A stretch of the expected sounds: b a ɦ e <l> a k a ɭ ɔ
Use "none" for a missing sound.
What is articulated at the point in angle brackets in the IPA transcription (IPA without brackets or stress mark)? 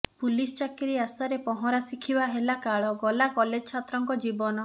l